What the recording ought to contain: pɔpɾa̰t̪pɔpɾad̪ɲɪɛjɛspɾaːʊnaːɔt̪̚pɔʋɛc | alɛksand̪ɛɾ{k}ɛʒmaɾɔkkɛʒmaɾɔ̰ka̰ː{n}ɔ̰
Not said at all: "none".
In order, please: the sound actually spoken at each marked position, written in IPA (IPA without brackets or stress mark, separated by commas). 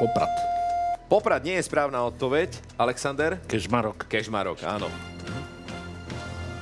k, n